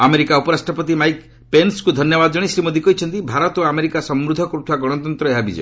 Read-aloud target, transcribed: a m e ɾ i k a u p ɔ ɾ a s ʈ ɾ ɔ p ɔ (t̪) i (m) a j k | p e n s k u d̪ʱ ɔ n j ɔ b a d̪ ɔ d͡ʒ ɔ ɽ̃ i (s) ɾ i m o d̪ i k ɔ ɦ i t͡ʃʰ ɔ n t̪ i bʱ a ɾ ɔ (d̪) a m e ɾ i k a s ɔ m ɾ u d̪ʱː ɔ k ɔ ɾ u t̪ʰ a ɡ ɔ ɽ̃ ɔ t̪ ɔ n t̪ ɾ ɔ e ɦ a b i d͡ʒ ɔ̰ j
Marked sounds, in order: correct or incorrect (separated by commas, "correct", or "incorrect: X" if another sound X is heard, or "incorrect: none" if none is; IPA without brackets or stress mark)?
correct, correct, correct, incorrect: t̪